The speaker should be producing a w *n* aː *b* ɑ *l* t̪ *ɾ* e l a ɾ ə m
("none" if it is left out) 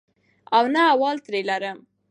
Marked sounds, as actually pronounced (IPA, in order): n, w, l, ɾ

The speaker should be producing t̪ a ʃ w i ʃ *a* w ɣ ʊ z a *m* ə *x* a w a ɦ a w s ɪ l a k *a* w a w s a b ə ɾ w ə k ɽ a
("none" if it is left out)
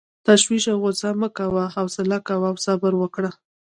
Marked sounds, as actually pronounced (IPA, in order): a, m, k, a

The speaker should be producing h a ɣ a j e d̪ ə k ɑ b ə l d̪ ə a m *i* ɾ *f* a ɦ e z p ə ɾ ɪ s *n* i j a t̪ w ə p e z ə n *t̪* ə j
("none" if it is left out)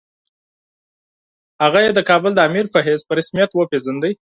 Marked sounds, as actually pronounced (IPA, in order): i, f, m, d̪

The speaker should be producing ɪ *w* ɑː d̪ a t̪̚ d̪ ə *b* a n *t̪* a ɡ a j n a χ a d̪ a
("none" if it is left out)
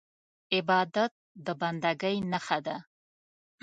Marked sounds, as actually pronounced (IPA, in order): b, b, d̪

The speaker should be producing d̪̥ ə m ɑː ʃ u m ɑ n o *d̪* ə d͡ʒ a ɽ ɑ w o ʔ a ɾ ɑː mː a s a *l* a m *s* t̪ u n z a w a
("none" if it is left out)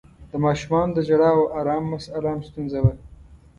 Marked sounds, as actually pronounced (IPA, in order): d̪, l, s

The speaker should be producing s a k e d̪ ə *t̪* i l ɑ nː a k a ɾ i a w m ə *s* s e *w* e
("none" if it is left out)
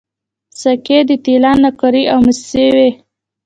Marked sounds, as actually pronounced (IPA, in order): t̪, s, w

